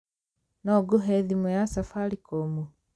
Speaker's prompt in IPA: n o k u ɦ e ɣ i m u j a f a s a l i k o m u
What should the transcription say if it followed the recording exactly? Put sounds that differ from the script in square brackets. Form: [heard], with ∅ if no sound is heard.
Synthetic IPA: n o [ɡ] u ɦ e [ð] i m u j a [s] a [f] a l i k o m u